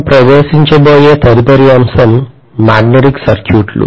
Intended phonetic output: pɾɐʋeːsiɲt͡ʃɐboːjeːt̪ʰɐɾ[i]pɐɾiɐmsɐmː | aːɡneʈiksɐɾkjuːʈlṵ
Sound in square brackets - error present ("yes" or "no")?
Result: no